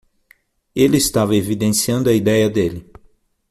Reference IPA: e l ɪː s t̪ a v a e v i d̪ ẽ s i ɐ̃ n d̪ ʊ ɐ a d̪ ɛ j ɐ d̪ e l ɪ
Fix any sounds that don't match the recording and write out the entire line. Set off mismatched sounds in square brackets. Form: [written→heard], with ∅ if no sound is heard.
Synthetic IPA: e l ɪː s t̪ a v [a→ɐ] e v i d̪ ẽ s i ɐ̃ n d̪ ʊ ɐ [a→i] d̪ ɛ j ɐ d̪ e l ɪ